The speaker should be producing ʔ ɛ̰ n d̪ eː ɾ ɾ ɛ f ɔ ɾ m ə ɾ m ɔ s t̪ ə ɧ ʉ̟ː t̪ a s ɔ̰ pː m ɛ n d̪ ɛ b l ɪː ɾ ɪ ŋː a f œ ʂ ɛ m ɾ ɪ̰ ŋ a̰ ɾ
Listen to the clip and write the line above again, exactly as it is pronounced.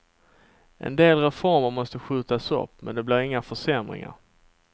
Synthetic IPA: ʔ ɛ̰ n d̪ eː l ɾ ɛ f ɔ ɾ m ə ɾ m ɔ s t̪ ə ɧ ʉ̟ː t̪ a s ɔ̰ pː m ɛ n d̪ ɛ b l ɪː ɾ ɪ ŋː a f œ ʂ ɛ m ɾ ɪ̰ ŋ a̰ ɾ